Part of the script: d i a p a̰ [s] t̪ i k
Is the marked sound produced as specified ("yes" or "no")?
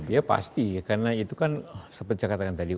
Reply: yes